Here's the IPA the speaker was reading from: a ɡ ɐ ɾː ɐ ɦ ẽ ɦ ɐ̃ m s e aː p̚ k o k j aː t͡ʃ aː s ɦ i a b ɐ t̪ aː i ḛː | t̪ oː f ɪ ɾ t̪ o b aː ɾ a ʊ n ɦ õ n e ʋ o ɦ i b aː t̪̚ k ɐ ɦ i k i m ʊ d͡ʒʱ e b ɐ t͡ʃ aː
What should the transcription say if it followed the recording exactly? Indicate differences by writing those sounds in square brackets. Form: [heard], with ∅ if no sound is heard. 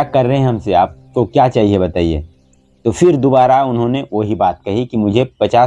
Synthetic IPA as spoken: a [k] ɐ ɾː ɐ ɦ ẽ ɦ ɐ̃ m s e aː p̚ k o k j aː t͡ʃ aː [∅] ɦ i [e] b ɐ t̪ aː i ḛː | t̪ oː f ɪ ɾ [d̪] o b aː ɾ a ʊ n ɦ õ n e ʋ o ɦ i b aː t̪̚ k ɐ ɦ i k i m ʊ d͡ʒʱ e [p] ɐ t͡ʃ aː